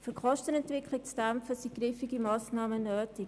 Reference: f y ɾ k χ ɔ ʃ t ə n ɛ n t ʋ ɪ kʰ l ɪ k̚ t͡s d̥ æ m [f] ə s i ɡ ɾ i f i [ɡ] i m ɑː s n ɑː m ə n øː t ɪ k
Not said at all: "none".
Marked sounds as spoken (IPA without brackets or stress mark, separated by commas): f, ɡ